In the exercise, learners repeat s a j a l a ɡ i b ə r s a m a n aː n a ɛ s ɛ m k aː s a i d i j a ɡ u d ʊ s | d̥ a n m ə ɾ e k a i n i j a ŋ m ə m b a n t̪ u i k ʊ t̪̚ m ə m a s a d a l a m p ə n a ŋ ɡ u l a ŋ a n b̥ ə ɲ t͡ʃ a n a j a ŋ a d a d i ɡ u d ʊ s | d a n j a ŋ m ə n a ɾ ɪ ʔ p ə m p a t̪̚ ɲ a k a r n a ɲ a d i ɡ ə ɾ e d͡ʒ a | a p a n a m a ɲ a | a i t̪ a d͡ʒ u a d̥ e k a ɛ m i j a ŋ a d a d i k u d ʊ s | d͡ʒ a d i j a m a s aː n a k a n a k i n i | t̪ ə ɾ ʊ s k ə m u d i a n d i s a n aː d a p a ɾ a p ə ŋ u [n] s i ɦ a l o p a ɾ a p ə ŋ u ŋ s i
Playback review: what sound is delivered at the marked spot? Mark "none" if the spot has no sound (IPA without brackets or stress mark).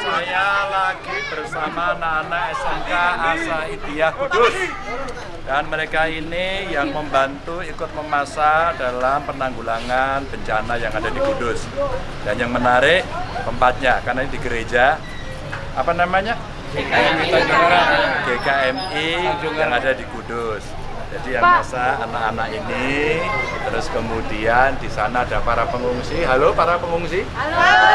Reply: ŋ